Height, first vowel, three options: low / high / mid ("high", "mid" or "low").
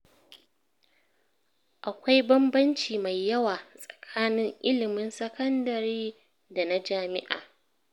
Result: low